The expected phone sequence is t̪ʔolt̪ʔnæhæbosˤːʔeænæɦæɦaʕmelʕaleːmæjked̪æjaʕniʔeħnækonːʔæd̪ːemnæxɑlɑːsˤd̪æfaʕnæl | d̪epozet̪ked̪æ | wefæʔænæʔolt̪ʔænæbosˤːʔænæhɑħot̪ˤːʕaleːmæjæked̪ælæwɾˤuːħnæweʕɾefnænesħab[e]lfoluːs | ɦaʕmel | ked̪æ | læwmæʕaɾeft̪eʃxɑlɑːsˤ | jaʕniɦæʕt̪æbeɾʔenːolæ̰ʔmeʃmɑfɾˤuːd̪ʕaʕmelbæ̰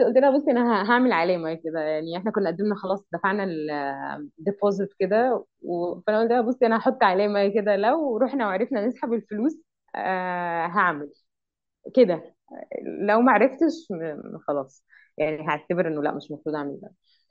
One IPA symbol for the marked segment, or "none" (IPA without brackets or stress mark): e